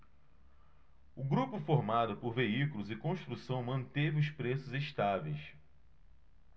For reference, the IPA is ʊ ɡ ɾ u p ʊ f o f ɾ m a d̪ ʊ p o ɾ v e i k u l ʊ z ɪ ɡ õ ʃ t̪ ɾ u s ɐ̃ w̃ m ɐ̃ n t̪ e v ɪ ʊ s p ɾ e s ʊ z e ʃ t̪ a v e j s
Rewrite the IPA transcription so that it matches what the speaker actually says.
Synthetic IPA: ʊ ɡ ɾ u p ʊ f o ɾ m a d̪ ʊ p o ɾ v e i k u l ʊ z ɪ k õ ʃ t̪ ɾ u s ɐ̃ w̃ m ɐ̃ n t̪ e v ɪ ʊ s p ɾ e s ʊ z e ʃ t̪ a v e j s